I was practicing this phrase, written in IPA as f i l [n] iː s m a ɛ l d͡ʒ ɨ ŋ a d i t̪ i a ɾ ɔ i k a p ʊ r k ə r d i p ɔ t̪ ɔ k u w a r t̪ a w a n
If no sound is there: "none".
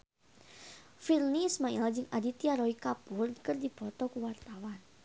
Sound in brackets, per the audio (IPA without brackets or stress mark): n